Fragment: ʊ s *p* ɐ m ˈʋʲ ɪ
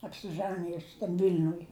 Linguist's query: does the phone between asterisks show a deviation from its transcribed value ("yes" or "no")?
yes